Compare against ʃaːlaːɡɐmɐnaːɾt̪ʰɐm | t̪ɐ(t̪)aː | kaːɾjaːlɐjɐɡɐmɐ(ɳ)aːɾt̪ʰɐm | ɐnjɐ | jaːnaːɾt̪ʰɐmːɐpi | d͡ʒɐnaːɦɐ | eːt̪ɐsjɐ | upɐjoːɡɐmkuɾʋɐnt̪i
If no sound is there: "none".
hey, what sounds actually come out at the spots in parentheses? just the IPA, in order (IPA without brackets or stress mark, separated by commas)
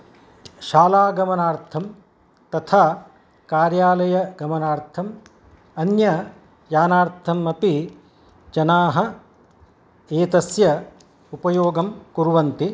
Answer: t̪ʰ, n